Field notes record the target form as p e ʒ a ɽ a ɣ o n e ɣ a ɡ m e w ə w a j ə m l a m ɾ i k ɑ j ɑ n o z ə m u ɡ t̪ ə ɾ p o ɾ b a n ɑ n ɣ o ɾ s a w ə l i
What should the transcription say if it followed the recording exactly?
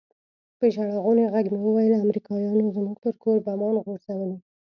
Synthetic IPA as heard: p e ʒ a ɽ a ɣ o n e ɣ a ɡ m e w ə w a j ə l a m ɾ i k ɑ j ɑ n o z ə m u ɡ t̪ ə ɾ k o ɾ b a m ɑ n ɣ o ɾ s a w ə l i

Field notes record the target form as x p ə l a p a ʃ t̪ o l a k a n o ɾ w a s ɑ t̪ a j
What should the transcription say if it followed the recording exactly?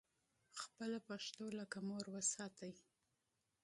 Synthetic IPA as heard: x p ə l a p a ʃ t̪ o l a k a m o ɾ w ə s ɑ t̪ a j

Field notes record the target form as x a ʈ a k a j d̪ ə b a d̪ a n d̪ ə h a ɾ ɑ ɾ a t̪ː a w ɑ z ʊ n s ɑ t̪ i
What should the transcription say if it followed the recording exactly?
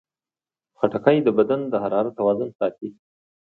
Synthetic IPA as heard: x a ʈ a k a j d̪ ə b a d̪ a n d̪ ə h a ɾ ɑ ɾ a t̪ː a w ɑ z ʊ n s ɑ t̪ i

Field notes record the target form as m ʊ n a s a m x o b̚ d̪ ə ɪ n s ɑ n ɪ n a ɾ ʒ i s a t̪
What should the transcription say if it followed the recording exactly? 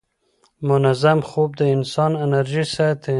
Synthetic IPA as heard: m ʊ n a z a m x o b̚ d̪ ə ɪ n s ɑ n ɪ n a ɾ ʒ i s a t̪

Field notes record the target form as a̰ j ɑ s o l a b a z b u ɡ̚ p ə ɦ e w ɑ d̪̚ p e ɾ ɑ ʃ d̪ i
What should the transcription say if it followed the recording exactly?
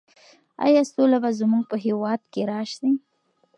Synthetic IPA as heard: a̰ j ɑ s o l a b a z m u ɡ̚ p ə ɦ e w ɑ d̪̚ k e ɾ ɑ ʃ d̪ i

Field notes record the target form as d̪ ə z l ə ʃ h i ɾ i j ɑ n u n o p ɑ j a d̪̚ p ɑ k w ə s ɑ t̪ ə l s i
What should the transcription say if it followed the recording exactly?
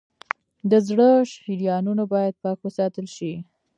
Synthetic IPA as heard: d̪ ə z ɽ ə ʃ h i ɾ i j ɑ n u n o b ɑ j a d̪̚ p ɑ k w ə s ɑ t̪ ə l ʃ i

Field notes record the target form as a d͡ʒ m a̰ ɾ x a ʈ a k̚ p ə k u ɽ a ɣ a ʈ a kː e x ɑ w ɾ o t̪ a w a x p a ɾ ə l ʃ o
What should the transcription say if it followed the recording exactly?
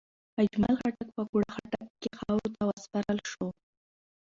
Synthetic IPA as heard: a d͡ʒ m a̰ l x a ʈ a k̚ p ə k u ɽ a x a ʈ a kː e x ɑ w ɾ o t̪ a w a s p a ɾ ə l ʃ o

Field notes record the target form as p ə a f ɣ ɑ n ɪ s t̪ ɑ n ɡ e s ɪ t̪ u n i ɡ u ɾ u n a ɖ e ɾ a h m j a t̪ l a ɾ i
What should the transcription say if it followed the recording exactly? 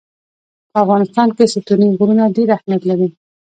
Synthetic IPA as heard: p ə a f ɣ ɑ n ɪ s t̪ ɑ n k e s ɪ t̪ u n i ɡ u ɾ u n a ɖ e ɾ a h m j a t̪ l a ɾ i

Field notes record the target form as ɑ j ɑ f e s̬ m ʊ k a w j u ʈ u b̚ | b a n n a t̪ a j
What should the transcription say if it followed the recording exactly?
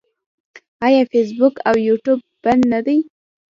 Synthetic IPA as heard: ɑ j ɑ f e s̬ b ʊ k a w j u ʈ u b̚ | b a n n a d̪ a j

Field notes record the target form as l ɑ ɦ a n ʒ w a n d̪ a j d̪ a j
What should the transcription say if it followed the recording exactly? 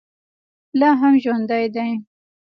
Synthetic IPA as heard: l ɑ ɦ a m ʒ w a n d̪ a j d̪ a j

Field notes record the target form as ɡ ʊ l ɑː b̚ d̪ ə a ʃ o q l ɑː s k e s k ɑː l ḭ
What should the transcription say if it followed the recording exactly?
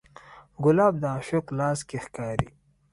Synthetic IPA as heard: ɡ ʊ l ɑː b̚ d̪ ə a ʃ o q l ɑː s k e x k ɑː ɾ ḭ

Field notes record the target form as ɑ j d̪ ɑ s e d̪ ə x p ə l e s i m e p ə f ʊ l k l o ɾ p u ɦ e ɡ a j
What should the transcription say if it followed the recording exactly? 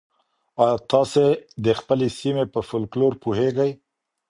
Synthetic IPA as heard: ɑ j t̪ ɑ s e d̪ ə x p ə l e s i m e p ə f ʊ l k l o ɾ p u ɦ e ɡ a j

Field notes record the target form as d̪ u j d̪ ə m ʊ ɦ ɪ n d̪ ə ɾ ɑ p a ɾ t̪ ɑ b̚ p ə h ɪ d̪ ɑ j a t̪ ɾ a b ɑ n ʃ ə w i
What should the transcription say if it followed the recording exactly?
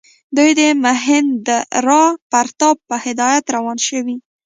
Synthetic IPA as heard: d̪ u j d̪ ə m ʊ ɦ ɪ n d̪ ə ɾ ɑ p a ɾ t̪ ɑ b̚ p ə h ɪ d̪ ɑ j a t̪ ɾ a w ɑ n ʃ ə w i

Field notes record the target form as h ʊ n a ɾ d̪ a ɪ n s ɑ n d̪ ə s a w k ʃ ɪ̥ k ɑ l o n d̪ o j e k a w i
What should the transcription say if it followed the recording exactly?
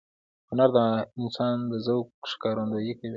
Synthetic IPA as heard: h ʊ n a ɾ d̪ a ɪ n s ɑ n d̪ ə z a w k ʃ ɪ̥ k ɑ ɾ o n d̪ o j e k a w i

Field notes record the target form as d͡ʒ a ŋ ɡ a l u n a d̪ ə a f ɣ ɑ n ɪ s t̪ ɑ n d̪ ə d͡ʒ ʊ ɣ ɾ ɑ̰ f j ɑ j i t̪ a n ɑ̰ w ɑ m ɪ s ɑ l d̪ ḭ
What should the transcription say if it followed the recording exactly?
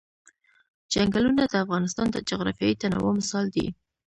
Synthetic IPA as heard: d͡ʒ a ŋ ɡ a l u n a d̪ ə a f ɣ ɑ n ɪ s t̪ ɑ n d̪ ə d͡ʒ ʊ ɣ ɾ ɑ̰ f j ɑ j i t̪ a n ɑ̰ w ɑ m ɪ s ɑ l d̪ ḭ

